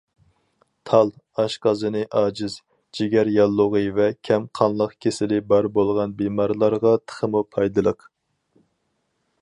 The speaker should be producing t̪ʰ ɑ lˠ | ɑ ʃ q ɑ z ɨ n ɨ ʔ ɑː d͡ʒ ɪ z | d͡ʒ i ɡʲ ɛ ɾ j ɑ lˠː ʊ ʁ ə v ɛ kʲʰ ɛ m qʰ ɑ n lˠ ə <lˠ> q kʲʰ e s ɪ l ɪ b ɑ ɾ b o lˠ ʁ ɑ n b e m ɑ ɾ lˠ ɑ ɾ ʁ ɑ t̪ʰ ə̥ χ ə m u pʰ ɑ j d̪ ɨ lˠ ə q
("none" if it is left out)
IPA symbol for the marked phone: none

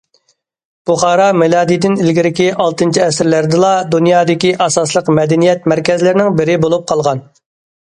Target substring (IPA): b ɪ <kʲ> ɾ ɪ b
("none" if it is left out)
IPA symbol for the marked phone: none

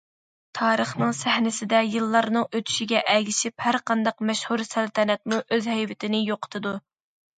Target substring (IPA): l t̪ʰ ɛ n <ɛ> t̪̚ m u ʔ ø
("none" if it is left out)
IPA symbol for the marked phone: ɛ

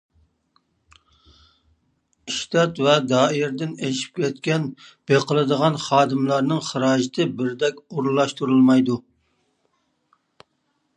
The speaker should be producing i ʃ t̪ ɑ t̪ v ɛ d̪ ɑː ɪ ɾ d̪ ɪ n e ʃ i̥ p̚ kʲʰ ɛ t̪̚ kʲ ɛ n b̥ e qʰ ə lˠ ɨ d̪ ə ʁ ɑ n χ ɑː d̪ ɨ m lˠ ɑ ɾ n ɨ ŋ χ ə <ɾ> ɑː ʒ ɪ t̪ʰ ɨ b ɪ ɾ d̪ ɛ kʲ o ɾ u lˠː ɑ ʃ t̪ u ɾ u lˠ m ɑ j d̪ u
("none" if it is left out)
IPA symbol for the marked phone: ɾ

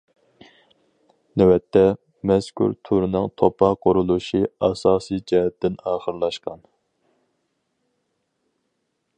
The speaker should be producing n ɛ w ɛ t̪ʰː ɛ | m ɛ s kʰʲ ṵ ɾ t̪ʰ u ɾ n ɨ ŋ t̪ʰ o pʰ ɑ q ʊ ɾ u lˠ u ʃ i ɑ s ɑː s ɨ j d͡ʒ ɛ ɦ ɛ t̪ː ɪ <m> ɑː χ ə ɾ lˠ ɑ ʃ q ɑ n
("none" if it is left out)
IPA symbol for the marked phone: n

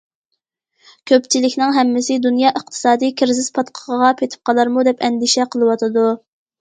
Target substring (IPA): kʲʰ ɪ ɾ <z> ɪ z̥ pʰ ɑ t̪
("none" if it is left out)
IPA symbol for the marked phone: z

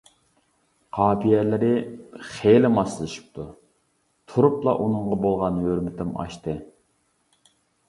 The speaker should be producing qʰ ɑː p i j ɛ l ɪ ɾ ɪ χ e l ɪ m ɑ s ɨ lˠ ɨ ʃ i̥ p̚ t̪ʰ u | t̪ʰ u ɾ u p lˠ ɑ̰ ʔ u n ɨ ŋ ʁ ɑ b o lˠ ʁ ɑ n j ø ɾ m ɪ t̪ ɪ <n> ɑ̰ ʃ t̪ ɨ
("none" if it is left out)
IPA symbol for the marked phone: m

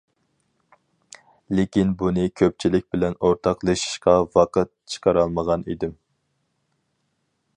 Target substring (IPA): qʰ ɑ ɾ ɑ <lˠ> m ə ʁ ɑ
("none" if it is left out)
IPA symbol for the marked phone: lˠ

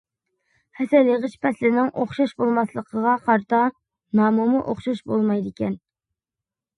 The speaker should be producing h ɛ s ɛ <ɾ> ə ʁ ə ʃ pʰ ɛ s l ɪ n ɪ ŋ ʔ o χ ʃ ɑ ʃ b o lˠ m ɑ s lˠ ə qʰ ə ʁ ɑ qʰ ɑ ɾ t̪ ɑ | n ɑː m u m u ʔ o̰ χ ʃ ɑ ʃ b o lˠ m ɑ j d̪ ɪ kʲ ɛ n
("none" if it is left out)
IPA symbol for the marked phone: l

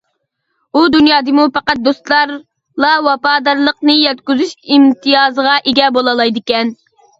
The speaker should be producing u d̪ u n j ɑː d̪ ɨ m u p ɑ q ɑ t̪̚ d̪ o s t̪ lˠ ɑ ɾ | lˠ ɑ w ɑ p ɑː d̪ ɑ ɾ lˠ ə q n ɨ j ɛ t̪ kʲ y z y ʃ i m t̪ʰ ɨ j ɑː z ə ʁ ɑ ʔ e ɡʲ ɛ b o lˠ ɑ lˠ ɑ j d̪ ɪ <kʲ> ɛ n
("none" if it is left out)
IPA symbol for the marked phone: kʲ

